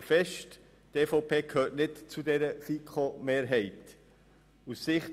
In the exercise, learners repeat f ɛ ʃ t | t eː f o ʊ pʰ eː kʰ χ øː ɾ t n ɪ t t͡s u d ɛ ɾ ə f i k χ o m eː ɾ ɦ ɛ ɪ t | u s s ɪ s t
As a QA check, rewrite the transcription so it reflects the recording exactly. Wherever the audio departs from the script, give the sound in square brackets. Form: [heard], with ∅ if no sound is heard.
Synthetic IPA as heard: f ɛ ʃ t | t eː f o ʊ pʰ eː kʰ [h] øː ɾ t n ɪ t t͡s u d ɛ ɾ ə f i k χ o m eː ɾ ɦ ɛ ɪ t | u s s ɪ [χ] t

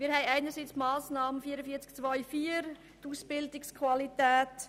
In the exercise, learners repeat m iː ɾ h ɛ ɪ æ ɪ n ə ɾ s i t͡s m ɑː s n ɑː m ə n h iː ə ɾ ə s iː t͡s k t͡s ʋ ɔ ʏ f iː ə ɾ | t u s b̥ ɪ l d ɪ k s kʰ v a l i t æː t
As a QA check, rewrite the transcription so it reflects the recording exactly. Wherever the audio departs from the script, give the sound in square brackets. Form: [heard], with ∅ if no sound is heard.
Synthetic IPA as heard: m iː ɾ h ɛ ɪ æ ɪ n ə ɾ s i t͡s m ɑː s n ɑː m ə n [f] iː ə ɾ ə [f] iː t͡s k t͡s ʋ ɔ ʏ f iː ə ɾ | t u s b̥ ɪ l d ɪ k s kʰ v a l i t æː t

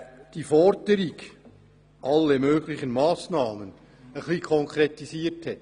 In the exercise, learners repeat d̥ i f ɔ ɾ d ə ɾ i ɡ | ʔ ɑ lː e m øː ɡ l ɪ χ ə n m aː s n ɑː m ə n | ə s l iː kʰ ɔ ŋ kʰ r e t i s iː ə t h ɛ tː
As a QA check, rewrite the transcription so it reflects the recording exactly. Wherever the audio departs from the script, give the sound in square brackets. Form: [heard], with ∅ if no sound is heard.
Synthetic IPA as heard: d̥ i f ɔ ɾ d ə ɾ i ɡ | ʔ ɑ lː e m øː ɡ l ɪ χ ə n m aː s n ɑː m ə n | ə [χ] l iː kʰ ɔ ŋ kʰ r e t i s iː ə t h ɛ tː

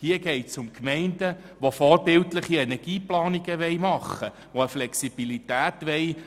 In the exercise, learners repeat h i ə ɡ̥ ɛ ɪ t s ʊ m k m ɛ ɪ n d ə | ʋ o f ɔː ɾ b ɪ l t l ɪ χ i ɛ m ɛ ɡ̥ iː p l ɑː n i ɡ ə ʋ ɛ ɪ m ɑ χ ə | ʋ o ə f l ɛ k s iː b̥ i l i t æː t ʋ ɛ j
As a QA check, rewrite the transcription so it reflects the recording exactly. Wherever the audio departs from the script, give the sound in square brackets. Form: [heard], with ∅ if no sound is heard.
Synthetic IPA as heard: h i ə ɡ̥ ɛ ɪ t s ʊ m k m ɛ ɪ n d ə | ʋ o f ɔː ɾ b ɪ l t l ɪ χ i ɛ [n] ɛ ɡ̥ iː p l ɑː n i ɡ ə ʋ ɛ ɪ m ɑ χ ə | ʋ o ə f l ɛ k s [i] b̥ i l i t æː t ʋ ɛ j

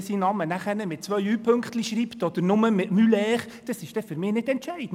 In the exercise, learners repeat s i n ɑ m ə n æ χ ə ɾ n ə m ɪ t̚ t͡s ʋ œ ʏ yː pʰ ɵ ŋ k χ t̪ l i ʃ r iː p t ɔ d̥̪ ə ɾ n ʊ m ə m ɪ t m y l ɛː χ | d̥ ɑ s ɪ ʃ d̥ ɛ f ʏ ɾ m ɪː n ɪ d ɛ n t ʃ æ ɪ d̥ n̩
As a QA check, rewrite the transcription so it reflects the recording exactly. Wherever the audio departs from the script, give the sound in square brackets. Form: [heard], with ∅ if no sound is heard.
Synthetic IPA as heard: s i n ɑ m ə n æ χ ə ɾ n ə m ɪ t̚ t͡s ʋ œ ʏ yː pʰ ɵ ŋ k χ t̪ l i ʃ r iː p t ɔ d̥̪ ə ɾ n ʊ m ə m ɪ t m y l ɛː χ | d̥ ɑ s ɪ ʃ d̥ ɛ f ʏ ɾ m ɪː n ɪ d ɛ n t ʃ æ ɪ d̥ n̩

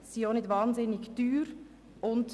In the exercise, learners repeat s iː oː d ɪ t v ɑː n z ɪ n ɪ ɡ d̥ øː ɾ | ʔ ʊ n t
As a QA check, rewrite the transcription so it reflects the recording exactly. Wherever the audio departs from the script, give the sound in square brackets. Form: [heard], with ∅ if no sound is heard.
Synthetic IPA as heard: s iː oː [n] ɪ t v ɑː n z ɪ n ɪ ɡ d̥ [yː] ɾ | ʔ ʊ n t

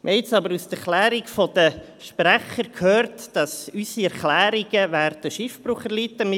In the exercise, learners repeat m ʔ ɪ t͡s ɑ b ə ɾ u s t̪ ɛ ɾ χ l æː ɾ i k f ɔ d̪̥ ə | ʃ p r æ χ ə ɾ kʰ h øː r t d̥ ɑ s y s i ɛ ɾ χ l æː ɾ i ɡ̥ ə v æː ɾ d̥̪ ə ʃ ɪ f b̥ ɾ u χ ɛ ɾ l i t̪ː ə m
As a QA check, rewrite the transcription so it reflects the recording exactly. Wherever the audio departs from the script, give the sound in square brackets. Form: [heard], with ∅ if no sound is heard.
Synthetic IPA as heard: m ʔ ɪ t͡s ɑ b ə ɾ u s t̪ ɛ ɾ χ l æː ɾ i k f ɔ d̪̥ ə | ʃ p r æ χ ə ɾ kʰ h øː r t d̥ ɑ s y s i ɛ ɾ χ l æː ɾ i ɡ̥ ə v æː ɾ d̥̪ ə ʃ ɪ f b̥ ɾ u χ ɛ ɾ l i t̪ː ə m

